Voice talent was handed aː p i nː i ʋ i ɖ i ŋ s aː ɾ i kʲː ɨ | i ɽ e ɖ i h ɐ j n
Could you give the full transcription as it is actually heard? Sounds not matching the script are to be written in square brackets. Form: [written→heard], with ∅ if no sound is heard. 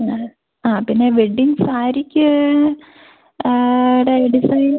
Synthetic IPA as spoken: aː p i nː [i→e] ʋ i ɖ i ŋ s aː ɾ i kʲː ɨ | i ɽ e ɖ i [h→s] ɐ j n